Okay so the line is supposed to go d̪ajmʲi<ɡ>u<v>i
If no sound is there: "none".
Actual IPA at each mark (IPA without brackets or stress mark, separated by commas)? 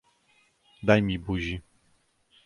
b, ʑ